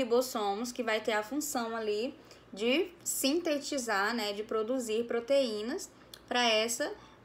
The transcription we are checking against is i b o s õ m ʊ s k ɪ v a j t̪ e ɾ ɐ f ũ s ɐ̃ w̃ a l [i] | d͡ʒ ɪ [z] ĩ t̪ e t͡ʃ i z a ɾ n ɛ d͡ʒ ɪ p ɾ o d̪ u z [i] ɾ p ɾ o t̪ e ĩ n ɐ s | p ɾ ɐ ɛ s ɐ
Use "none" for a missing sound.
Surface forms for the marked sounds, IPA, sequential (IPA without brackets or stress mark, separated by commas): i, s, i